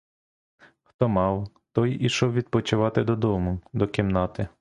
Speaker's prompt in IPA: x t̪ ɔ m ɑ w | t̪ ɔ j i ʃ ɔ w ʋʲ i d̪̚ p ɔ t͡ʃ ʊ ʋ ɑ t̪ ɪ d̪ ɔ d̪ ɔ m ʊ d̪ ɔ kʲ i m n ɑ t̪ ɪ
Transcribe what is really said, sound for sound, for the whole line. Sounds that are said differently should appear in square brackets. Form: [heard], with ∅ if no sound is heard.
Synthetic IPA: x t̪ ɔ m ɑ w | t̪ ɔ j i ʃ ɔ w ʋʲ i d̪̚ p ɔ t͡ʃ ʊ ʋ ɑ t̪ ɪ d̪ ɔ d̪ ɔ m ʊ d̪ ɔ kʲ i m n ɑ t̪ ɪ